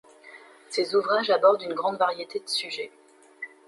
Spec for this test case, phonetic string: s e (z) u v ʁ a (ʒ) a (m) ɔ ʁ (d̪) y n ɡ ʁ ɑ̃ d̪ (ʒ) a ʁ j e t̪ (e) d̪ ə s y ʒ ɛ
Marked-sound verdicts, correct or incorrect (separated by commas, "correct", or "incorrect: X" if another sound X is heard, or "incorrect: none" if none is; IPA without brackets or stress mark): correct, correct, incorrect: b, correct, incorrect: v, correct